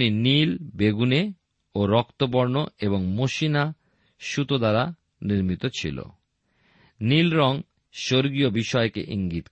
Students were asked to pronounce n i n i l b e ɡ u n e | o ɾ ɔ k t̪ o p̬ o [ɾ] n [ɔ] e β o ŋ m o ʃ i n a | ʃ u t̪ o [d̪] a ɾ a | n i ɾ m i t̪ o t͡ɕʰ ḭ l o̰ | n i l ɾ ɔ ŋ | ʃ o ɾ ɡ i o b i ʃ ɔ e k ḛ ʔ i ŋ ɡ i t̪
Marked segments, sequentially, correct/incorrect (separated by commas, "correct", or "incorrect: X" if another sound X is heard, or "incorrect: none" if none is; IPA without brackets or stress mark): correct, incorrect: o, correct